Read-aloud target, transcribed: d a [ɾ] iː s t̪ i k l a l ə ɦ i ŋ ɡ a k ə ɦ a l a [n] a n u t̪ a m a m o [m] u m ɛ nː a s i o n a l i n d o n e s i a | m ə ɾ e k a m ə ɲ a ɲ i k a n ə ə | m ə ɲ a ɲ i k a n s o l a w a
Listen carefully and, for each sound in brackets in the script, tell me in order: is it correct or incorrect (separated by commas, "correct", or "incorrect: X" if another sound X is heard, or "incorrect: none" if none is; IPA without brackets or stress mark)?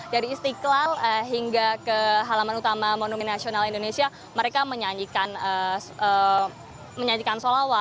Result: correct, incorrect: m, incorrect: n